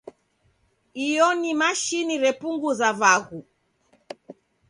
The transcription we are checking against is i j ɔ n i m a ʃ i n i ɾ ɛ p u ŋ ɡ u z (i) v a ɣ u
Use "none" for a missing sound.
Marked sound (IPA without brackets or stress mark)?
a